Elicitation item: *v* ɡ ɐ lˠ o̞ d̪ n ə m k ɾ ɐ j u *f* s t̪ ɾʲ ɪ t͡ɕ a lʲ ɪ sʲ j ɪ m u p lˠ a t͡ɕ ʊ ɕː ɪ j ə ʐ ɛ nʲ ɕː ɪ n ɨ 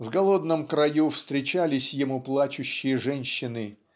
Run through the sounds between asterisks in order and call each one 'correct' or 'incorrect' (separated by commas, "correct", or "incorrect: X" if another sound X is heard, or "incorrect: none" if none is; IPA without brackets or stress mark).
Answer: correct, correct